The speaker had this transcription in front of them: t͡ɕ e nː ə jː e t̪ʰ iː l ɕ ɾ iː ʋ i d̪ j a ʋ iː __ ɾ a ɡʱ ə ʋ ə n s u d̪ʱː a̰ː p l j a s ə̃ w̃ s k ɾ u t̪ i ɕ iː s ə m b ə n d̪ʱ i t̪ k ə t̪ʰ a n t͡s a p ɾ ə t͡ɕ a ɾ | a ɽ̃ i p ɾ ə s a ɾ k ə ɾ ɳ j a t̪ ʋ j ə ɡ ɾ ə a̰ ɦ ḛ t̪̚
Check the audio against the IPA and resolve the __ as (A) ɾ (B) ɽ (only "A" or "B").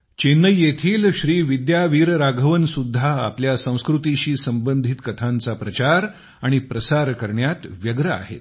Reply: A